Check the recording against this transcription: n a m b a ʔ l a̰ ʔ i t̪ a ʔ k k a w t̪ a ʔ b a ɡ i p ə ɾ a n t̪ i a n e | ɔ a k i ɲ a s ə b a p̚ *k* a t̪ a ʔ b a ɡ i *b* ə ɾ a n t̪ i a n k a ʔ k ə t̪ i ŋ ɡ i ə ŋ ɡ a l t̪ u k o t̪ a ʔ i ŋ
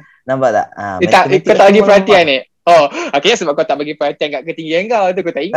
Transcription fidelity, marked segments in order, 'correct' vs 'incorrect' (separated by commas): correct, incorrect